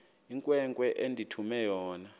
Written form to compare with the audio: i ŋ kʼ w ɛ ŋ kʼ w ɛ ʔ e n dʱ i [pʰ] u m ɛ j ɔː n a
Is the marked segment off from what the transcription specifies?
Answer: yes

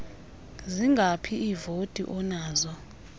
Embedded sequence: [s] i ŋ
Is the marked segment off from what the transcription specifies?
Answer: yes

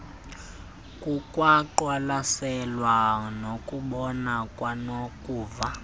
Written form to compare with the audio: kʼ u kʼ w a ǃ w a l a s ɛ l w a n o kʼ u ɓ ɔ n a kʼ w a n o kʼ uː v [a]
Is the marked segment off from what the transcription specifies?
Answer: no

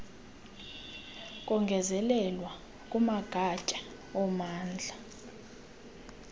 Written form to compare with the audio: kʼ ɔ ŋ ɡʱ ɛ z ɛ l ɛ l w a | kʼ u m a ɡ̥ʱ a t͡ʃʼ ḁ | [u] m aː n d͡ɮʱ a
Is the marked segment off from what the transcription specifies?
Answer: yes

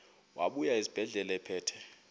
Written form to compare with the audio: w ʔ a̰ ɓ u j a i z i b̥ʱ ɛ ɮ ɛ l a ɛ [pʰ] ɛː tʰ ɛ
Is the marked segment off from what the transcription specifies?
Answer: no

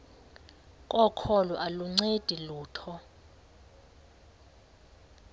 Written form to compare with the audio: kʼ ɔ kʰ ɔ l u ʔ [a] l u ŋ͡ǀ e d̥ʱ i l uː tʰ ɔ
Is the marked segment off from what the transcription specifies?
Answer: no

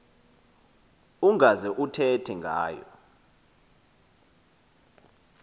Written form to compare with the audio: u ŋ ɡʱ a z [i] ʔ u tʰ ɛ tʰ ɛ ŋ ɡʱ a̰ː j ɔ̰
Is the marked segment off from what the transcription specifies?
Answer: yes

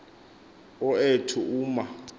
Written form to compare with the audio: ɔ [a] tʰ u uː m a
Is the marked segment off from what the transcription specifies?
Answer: yes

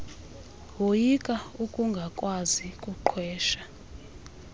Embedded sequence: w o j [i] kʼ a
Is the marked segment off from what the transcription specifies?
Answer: no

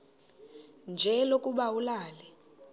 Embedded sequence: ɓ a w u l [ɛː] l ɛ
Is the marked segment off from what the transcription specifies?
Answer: yes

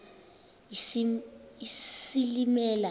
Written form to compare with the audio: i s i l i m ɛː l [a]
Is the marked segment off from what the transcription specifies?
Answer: no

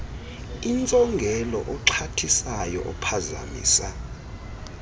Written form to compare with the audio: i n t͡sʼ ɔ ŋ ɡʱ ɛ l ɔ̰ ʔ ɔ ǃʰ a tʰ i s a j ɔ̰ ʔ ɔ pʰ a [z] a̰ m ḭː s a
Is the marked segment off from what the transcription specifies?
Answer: no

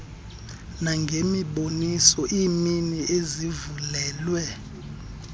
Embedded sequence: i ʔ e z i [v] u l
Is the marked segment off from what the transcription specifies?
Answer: no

